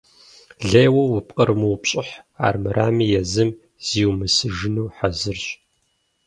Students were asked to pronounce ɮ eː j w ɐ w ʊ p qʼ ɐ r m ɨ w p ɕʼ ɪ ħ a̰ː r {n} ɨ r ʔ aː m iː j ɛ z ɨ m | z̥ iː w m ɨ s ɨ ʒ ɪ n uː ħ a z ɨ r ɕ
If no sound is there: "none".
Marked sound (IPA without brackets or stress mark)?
m